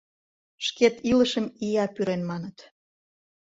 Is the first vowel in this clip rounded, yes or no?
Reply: no